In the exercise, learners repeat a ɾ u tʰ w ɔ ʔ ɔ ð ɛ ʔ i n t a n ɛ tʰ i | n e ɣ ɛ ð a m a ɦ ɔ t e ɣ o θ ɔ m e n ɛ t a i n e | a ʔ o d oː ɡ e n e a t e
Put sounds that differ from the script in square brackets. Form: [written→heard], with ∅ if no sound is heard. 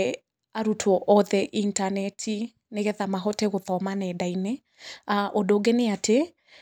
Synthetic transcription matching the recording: a ɾ u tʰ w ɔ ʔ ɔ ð ɛ ʔ i n t a n ɛ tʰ i | n e ɣ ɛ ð a m a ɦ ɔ t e ɣ o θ ɔ m [e→a] n ɛ [t→d] a i n e | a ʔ o d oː ɡ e n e a t e